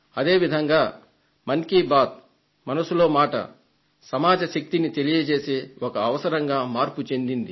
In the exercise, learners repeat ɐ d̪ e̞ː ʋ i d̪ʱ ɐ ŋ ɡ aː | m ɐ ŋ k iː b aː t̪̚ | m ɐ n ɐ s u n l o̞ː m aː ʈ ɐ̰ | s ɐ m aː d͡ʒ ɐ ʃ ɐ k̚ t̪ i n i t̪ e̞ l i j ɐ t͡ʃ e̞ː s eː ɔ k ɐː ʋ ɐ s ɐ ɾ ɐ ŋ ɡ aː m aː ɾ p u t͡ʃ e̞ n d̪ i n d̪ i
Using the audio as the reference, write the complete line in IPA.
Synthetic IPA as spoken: ɐ d̪ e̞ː ʋ i d̪ʱ ɐ ŋ ɡ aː | m ɐ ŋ k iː b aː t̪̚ | m ɐ n ɐ s u l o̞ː m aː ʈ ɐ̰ | s ɐ m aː d͡ʒ ɐ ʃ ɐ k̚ t̪ i n i t̪ e̞ l i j ɐ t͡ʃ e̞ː s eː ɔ k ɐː ʋ ɐ s ɐ ɾ ɐ ŋ ɡ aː m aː ɾ p u t͡ʃ e̞ n d̪ i n d̪ i